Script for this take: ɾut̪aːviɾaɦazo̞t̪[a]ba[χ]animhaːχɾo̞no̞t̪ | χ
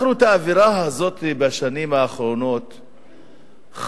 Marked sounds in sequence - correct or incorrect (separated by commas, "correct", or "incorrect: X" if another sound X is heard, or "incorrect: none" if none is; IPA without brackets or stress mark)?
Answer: incorrect: i, incorrect: ʃ